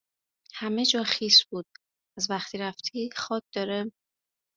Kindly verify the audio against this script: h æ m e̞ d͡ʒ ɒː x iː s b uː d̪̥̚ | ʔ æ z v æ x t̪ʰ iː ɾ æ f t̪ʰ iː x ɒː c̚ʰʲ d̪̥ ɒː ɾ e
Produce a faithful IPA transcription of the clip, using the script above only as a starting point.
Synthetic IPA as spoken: h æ m e̞ d͡ʒ ɒː x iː s b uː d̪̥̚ | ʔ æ z v æ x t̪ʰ iː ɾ æ f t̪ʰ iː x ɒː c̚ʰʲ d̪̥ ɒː ɾ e

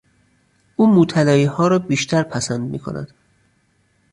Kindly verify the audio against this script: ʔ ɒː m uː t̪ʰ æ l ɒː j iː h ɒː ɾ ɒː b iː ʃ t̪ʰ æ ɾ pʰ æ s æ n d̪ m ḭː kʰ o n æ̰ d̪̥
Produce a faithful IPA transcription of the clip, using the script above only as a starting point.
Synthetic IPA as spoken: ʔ uː m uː t̪ʰ æ l ɒː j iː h ɒː ɾ ɒː b iː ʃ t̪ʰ æ ɾ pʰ æ s æ n d̪ m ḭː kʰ o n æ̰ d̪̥

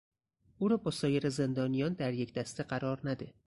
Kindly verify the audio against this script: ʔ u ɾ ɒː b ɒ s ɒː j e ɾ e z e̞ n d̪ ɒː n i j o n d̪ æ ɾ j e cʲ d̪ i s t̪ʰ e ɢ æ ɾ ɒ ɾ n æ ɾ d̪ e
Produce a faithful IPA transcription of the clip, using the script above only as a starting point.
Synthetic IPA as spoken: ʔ u ɾ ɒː b ɒ s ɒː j e ɾ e z e̞ n d̪ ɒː n i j ɒ n d̪ æ ɾ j e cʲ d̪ æ s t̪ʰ e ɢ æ ɾ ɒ ɾ n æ d̪ e

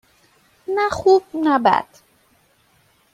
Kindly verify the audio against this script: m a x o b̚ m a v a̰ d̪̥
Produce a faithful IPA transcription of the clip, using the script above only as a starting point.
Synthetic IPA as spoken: n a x u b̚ n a b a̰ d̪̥

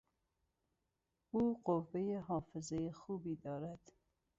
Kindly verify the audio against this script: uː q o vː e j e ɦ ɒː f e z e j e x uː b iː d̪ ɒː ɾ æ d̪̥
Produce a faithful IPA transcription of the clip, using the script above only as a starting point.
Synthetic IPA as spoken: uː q o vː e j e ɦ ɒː f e z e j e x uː b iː d̪ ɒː ɾ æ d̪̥

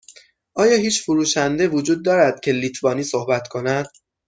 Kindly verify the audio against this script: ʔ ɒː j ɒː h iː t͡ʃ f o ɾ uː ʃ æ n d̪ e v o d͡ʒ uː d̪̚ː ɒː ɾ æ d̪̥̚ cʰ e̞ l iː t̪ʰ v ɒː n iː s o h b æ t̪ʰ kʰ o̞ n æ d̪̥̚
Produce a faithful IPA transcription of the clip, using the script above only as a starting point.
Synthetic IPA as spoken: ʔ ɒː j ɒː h iː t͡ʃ f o ɾ uː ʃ æ n d̪ e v o d͡ʒ uː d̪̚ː ɒː ɾ æ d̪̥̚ cʰ e̞ l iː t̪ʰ v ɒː n iː s o h b æ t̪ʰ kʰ o̞ n æ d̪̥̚

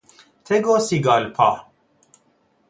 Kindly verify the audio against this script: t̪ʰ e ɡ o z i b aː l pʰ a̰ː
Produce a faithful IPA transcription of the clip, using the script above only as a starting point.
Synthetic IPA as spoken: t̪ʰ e ɡ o s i ɡ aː l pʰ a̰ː

